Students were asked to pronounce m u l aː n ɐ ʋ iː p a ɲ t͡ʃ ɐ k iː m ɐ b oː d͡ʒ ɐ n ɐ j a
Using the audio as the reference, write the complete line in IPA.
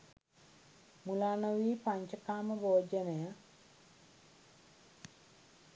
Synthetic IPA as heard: m u l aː n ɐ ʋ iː p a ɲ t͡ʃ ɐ k aː m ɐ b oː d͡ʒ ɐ n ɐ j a